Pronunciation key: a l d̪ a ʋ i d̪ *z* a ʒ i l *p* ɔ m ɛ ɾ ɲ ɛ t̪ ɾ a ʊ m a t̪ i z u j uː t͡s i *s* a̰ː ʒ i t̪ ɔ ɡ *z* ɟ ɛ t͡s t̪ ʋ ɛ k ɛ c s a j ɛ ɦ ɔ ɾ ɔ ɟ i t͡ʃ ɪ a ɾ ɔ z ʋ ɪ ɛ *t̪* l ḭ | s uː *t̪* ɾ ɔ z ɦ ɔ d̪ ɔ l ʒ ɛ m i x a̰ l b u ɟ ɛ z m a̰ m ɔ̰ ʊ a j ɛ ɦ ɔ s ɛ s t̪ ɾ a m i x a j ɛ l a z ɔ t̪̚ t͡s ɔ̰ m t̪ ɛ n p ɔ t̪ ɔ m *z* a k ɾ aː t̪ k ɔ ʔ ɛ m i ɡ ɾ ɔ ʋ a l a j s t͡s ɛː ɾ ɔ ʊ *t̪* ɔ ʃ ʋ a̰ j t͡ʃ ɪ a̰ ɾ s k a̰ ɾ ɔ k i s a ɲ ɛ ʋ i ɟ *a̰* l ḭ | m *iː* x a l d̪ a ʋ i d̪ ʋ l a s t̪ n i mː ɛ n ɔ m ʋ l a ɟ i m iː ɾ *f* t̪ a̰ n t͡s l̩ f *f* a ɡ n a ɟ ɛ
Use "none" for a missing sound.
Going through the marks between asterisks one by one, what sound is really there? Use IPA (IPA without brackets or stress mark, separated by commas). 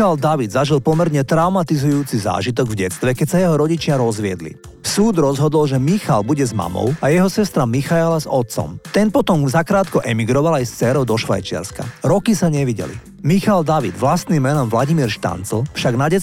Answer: z, p, z, v, d̪, d̪, z, d̪, ɛ̰, i, ʃ, ʃ